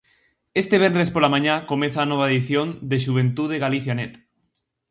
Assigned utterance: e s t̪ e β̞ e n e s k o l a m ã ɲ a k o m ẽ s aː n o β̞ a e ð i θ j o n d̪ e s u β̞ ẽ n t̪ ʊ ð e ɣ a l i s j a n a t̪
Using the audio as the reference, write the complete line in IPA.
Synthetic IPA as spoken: e s t̪ e β̞ e n e s p o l a m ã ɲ a k o m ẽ θ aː n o β̞ a e ð i θ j o n d̪ e ʃ u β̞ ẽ n t̪ u ð e ɣ a l i θ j a n e t̪